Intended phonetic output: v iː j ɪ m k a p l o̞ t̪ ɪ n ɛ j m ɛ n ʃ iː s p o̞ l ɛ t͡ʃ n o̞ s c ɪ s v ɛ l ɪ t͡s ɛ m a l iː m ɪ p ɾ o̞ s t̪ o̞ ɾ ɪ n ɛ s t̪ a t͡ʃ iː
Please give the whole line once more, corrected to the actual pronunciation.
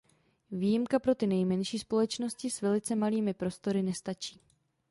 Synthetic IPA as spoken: v iː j ɪ m k a p ɾ o̞ t̪ ɪ n ɛ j m ɛ n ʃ iː s p o̞ l ɛ t͡ʃ n o̞ s c ɪ s v ɛ l ɪ t͡s ɛ m a l iː m ɪ p ɾ o̞ s t̪ o̞ ɾ ɪ n ɛ s t̪ a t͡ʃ iː